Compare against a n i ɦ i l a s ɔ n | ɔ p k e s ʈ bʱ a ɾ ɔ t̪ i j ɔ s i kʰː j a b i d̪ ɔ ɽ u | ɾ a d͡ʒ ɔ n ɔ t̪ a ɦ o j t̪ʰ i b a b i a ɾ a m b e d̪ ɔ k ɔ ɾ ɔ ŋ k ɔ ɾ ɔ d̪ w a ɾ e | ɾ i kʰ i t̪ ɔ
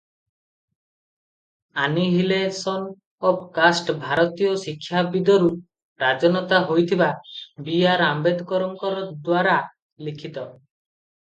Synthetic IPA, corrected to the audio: a n i ɦ i l e s ɔ n | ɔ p k a s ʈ bʱ a ɾ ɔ t̪ i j ɔ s i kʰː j a b i d̪ ɔ ɾ u | ɾ a d͡ʒ ɔ n ɔ t̪ a ɦ o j t̪ʰ i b a b i a ɾ a m b e d̪ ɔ k ɔ ɾ ɔ ŋ k ɔ ɾ ɔ d̪ w a ɾ a | l i kʰ i t̪ ɔ